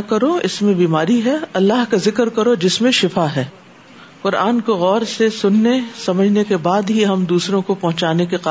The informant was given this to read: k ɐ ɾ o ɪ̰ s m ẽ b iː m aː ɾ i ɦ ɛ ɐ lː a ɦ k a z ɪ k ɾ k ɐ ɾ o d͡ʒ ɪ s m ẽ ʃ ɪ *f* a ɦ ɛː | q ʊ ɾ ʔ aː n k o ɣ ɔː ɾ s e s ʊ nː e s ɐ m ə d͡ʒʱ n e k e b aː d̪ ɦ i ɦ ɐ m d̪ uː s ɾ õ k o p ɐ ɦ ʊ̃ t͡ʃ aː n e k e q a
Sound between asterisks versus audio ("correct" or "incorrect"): correct